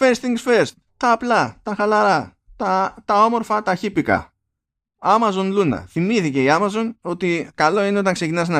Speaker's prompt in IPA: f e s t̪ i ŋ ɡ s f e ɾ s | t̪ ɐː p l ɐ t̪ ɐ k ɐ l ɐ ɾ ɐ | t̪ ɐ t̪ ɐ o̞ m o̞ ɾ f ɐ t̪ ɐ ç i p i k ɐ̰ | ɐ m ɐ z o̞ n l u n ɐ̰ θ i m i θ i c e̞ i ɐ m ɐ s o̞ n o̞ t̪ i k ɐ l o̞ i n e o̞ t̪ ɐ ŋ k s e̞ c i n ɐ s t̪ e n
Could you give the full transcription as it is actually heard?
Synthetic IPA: f e s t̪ i ŋ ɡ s f e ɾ s | t̪ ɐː p l ɐ t̪ ɐ x ɐ l ɐ ɾ ɐ | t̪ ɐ t̪ ɐ o̞ m o̞ ɾ f ɐ t̪ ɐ ç i p i k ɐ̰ | ɐ m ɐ z o̞ n l u n ɐ̰ θ i m i θ i c e̞ i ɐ m ɐ z o̞ n o̞ t̪ i k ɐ l o̞ i n e o̞ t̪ ɐ ŋ k s e̞ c i n ɐ s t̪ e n